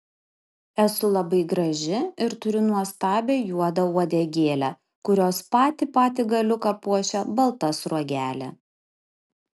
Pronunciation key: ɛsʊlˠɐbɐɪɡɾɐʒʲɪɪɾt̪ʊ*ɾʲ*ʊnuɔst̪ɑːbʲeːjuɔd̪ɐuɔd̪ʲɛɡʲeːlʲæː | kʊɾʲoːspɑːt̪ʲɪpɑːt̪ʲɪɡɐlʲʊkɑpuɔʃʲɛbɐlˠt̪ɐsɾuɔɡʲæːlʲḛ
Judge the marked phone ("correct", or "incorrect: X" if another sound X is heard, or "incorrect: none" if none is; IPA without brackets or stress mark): correct